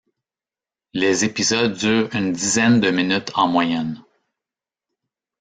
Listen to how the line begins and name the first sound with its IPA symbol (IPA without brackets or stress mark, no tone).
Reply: l